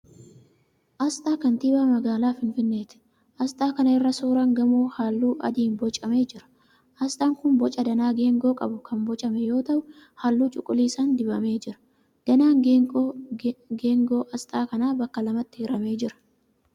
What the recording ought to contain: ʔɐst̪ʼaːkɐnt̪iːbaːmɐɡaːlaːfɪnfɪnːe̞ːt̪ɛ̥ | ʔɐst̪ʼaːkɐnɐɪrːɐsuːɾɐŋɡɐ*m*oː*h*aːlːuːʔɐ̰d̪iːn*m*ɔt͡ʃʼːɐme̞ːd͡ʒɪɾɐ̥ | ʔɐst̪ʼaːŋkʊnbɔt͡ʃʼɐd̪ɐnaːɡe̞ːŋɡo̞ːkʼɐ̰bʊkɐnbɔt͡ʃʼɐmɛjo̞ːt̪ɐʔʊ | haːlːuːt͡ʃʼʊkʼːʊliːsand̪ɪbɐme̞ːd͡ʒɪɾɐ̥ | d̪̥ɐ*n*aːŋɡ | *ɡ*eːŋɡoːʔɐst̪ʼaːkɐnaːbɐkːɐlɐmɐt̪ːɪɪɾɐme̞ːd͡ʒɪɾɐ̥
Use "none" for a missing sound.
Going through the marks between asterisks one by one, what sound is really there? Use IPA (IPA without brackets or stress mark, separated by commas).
m, h, b, n, ɡ